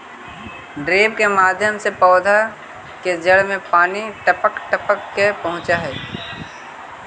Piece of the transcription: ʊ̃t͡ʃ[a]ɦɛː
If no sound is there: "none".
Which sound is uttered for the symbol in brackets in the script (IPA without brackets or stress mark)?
a